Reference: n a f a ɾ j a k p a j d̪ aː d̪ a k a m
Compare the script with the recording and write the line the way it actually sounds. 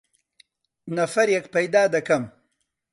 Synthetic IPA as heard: n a f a ɾ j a k p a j d̪ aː d̪ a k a m